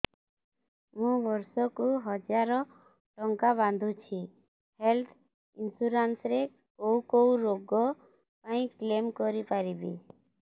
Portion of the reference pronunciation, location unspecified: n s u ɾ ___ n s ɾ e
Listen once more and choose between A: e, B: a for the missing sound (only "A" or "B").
B